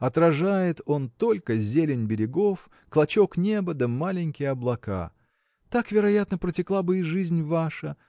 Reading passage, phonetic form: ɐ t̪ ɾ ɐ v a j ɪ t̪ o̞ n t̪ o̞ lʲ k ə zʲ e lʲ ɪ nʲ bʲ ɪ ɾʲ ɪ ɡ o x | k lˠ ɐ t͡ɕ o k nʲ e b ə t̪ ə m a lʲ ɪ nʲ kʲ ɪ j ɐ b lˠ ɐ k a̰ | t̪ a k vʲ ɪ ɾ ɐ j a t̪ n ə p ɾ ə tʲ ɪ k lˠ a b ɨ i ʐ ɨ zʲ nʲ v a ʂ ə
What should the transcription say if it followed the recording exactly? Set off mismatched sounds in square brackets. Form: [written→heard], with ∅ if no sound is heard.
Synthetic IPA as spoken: ɐ t̪ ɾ ɐ [v→ʐ] a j ɪ t̪ o̞ n t̪ o̞ lʲ k ə zʲ e lʲ ɪ nʲ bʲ ɪ ɾʲ ɪ ɡ o [x→f] | k lˠ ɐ t͡ɕ o k nʲ e b ə [t̪→d̪] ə m a lʲ ɪ nʲ kʲ ɪ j ɐ b lˠ ɐ k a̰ | t̪ a k vʲ ɪ ɾ ɐ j a t̪ n ə p ɾ ə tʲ ɪ k lˠ a b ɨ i ʐ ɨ zʲ nʲ v a ʂ ə